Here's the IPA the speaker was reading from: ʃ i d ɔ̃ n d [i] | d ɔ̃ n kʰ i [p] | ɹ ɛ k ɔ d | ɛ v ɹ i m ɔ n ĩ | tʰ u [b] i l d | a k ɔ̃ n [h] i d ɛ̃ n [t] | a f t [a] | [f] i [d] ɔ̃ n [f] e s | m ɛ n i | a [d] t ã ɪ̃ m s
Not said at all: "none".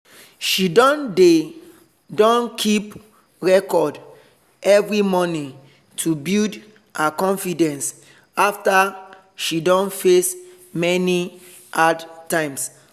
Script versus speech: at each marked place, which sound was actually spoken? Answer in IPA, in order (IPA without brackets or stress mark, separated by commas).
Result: e, p, b, f, s, a, ʃ, d, f, d